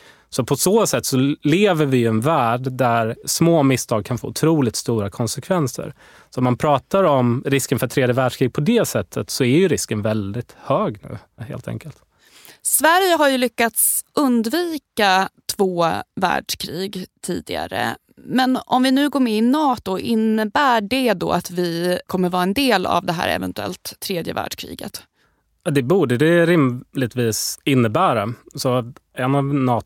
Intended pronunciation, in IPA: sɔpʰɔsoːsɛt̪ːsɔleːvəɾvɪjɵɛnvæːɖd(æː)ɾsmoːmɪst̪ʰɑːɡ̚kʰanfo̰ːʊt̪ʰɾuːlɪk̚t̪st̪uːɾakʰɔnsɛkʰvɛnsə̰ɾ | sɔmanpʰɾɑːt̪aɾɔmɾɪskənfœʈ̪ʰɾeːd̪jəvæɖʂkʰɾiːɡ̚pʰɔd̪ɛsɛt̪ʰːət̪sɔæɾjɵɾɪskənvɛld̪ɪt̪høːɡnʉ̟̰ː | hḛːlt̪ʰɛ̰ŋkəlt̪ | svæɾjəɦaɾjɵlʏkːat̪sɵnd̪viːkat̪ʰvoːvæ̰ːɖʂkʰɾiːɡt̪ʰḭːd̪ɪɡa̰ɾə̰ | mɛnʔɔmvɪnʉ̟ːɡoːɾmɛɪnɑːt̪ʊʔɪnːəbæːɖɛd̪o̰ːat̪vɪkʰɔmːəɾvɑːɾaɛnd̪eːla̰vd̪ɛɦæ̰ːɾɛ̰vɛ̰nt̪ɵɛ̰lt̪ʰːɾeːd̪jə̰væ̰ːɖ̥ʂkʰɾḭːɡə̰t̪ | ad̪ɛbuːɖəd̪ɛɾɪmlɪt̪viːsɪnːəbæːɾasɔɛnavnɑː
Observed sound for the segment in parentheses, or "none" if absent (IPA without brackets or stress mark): æ